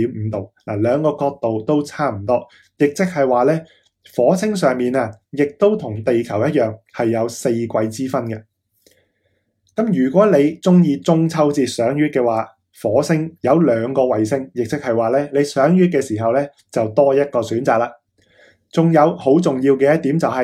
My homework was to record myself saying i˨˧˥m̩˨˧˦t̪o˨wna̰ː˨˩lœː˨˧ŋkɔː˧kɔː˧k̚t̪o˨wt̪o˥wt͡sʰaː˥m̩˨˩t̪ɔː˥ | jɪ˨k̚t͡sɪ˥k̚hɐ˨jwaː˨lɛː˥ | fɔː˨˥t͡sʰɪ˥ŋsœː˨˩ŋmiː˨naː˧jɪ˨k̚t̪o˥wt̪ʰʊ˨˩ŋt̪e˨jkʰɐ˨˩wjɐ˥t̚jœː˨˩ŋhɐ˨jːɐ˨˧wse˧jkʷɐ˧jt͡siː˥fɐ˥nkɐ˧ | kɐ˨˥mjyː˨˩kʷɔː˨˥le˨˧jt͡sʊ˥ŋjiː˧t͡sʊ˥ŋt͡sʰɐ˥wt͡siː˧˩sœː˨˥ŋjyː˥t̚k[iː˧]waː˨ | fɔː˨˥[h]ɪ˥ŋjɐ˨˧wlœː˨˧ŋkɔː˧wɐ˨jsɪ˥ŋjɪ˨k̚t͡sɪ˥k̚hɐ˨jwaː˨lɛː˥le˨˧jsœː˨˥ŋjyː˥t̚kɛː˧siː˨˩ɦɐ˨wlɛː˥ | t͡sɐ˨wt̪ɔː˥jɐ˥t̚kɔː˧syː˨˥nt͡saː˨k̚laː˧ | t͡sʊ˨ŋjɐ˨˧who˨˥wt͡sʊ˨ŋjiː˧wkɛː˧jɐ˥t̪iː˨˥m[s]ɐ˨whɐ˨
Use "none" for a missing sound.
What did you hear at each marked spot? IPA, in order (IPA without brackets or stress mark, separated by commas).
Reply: ɛː˧, s, t͡s